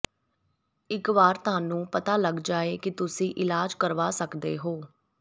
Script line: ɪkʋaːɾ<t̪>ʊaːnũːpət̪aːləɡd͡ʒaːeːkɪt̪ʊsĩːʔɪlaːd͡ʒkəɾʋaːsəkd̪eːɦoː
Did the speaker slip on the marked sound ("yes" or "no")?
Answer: no